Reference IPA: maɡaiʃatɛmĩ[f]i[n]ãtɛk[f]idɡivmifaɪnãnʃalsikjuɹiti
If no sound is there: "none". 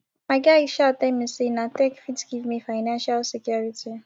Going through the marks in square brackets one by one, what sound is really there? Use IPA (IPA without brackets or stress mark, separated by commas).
s, n, f